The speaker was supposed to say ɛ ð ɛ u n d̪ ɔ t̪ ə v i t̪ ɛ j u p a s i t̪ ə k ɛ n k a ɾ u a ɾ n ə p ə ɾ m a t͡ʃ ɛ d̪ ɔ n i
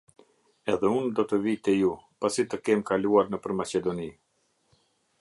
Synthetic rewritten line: ɛ ð ɛ u n d̪ ɔ t̪ ə v i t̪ ɛ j u p a s i t̪ ə k ɛ m k a l u a ɾ n ə p ə ɾ m a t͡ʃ ɛ d̪ ɔ n i